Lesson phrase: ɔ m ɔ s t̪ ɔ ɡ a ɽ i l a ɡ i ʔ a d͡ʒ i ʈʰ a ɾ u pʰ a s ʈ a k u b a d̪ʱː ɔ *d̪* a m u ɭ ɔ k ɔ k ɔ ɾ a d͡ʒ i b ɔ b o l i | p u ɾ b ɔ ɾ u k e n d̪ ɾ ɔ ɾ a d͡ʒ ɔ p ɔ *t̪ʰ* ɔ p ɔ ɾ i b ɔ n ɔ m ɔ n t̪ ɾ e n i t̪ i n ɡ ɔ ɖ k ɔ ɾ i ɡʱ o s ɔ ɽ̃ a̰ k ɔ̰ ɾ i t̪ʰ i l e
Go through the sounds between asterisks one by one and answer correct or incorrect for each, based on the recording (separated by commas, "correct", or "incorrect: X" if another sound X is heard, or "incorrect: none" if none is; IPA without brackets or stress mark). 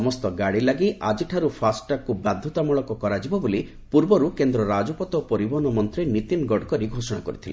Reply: incorrect: t̪, incorrect: t̪